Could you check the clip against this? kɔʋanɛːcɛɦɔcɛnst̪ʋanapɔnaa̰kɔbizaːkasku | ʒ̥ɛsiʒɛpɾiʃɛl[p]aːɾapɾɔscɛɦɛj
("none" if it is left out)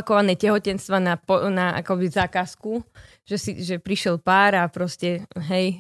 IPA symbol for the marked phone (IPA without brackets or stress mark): p